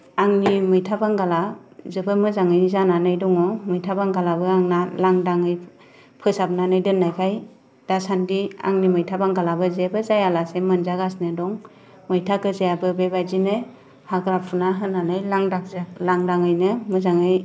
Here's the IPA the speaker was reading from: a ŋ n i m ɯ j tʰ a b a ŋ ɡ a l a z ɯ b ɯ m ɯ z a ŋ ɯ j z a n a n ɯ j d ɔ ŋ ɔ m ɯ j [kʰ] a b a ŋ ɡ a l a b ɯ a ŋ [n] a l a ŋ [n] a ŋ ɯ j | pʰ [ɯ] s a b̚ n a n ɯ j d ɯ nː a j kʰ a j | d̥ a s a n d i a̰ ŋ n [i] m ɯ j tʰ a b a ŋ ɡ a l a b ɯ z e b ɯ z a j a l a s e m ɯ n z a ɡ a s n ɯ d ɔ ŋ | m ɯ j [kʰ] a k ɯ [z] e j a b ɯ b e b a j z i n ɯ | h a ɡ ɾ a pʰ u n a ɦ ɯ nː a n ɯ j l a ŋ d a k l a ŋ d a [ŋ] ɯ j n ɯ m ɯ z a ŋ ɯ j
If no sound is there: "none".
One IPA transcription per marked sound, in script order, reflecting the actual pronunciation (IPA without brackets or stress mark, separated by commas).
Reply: tʰ, n, d, ɯ, i, tʰ, z, ŋ